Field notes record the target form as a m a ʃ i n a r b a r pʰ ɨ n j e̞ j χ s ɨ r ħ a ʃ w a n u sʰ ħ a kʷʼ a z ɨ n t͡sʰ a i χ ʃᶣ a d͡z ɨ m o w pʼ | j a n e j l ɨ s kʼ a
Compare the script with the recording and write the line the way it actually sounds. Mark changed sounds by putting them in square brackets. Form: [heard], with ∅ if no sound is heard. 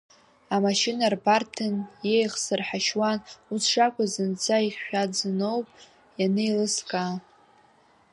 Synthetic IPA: a m a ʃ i n a r b a r [tʰ] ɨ n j e̞ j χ s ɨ r ħ a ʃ w a n u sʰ [ʂ] a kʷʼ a z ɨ n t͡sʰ a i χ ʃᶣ a d͡z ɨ [n] o w pʼ | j a n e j l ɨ s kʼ a